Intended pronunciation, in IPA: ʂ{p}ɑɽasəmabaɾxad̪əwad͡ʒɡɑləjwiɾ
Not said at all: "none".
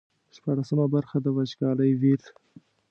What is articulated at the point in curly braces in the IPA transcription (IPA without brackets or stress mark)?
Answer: p